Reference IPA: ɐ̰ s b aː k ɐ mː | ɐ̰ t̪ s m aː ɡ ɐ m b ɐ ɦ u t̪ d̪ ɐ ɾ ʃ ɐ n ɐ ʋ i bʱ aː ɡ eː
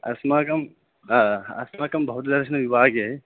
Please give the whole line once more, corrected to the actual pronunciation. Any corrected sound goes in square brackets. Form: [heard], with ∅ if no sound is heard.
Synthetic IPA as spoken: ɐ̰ s [m] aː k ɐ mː | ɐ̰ [∅] s m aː [k] ɐ m b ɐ ɦ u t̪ d̪ ɐ ɾ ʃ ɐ n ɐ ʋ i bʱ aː ɡ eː